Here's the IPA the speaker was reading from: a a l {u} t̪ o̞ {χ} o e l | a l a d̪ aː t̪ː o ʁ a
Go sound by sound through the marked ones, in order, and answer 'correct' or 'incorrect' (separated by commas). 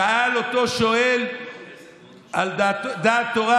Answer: incorrect, incorrect